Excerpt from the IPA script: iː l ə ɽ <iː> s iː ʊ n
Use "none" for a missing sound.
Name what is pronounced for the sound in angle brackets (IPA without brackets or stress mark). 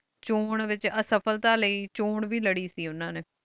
iː